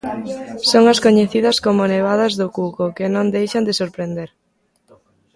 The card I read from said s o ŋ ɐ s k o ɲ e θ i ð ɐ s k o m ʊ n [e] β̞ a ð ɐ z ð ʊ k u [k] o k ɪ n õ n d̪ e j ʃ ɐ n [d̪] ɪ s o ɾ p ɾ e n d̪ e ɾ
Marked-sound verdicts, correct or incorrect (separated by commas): correct, correct, correct